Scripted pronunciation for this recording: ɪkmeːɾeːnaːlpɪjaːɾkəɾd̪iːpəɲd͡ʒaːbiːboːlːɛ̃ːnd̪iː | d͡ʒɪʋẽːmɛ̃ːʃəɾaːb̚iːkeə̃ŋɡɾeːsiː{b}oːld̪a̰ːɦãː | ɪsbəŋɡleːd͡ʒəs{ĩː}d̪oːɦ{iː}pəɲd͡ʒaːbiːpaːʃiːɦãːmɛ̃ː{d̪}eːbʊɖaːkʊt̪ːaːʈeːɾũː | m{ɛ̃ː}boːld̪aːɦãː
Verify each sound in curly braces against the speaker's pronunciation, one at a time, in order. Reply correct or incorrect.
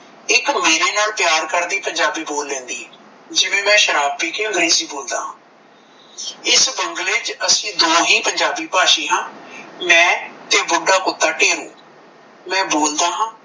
correct, correct, correct, incorrect, correct

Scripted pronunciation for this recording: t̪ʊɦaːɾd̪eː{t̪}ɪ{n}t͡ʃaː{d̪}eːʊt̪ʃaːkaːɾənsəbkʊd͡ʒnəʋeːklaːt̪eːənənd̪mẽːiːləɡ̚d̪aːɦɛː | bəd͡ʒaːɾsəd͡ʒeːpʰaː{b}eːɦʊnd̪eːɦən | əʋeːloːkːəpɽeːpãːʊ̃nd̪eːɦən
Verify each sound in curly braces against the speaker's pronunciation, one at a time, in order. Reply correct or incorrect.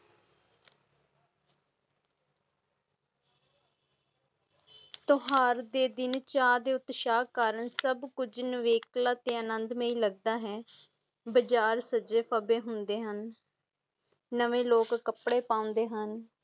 incorrect, correct, correct, correct

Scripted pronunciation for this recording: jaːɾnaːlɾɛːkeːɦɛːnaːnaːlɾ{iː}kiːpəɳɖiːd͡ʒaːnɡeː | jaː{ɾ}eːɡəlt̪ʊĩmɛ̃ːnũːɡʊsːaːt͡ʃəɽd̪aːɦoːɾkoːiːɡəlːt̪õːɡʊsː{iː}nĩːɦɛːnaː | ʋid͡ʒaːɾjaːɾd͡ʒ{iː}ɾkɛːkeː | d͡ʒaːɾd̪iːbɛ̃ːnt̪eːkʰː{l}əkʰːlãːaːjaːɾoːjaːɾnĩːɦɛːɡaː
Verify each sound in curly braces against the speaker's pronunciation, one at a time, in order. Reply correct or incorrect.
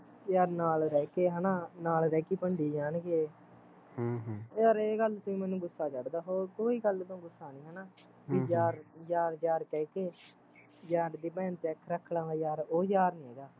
incorrect, correct, incorrect, incorrect, incorrect

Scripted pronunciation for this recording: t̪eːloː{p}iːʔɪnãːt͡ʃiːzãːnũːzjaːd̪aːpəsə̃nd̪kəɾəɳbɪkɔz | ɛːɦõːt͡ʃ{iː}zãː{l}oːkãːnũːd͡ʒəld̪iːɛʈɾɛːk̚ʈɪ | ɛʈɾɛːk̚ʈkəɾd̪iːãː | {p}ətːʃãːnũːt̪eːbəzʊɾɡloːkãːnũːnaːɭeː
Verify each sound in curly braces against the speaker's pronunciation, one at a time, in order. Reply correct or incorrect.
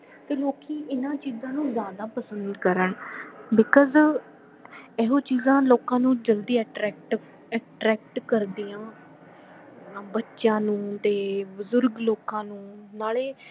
incorrect, correct, correct, incorrect

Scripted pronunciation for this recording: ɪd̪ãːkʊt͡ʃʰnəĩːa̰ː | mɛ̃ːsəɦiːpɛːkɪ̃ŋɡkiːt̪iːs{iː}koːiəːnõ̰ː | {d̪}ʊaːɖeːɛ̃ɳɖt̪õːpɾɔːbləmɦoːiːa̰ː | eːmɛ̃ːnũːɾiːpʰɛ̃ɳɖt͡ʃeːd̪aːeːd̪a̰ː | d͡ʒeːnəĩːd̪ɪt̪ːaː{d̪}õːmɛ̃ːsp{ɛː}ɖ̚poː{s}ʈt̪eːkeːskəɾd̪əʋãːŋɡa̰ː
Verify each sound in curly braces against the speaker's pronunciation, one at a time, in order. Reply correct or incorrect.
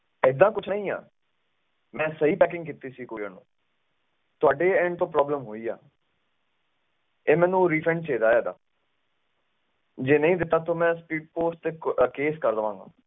correct, incorrect, incorrect, incorrect, correct

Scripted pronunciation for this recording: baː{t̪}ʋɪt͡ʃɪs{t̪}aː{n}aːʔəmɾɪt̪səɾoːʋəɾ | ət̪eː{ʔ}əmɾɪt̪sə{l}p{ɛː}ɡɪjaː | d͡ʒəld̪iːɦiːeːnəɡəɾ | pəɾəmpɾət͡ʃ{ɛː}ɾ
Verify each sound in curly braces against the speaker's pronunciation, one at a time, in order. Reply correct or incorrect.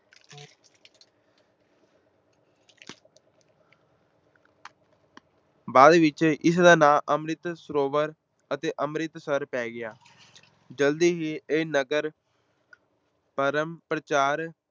incorrect, incorrect, correct, correct, incorrect, correct, incorrect

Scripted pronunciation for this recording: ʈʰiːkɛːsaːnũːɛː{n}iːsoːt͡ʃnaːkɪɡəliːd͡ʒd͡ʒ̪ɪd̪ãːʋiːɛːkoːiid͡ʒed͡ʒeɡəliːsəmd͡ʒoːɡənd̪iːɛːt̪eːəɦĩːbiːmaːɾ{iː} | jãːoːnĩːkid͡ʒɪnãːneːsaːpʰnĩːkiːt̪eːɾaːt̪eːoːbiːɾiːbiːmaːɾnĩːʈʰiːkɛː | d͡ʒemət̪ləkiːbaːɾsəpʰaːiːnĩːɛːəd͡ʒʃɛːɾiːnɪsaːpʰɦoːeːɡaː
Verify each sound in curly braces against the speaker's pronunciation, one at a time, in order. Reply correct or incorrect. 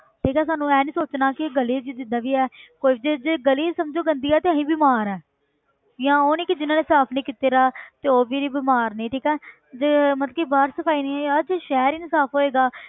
correct, incorrect

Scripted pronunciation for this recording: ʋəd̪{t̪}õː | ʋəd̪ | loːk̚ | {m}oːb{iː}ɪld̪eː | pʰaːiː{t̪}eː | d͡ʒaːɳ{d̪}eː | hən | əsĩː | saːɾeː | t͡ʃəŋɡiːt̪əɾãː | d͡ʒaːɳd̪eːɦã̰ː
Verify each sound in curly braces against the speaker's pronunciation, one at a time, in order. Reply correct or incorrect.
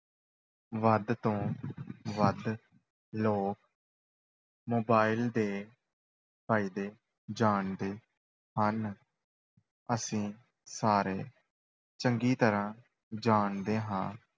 correct, correct, incorrect, incorrect, correct

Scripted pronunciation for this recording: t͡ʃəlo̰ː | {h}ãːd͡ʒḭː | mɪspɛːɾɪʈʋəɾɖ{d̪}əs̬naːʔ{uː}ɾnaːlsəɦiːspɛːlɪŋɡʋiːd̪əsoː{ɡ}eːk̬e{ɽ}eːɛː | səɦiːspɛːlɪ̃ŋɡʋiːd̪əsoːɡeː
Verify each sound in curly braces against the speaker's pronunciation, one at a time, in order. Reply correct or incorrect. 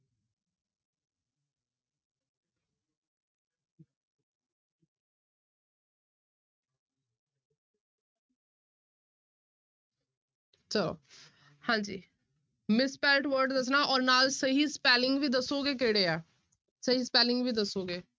correct, correct, incorrect, correct, correct

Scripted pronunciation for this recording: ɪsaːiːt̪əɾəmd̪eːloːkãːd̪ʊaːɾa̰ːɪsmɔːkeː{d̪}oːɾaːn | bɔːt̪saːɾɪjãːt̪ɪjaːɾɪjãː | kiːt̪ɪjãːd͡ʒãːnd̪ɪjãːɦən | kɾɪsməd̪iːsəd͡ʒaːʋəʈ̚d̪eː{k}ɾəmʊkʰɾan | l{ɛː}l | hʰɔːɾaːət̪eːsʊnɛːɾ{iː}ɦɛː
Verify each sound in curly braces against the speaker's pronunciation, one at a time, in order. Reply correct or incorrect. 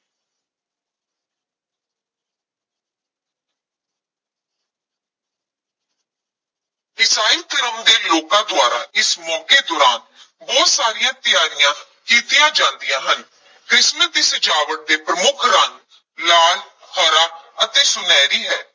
correct, incorrect, incorrect, correct

